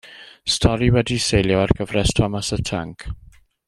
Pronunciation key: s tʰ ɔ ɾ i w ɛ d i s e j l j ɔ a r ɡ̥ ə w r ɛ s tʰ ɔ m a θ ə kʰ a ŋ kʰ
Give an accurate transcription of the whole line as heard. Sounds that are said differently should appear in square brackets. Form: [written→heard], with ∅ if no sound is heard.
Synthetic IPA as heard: s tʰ ɔ ɾ i w ɛ d i s e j l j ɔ a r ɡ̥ ə [w→v] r ɛ s tʰ ɔ m a [θ→s] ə [kʰ→tʰ] a ŋ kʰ